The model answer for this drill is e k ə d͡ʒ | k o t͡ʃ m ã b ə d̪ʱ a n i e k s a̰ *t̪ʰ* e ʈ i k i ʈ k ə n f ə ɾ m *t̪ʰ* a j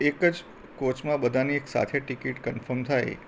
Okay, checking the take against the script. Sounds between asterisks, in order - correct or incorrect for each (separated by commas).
correct, correct